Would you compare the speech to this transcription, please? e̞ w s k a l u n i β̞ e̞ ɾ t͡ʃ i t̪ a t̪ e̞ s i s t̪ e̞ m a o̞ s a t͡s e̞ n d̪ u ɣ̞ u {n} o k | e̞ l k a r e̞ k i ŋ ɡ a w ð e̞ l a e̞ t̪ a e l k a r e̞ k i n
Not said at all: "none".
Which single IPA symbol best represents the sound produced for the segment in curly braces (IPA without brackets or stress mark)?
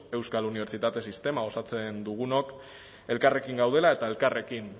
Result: n